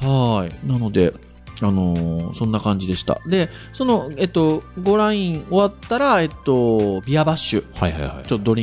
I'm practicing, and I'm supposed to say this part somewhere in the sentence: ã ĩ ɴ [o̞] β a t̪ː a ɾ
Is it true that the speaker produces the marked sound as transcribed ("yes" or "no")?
yes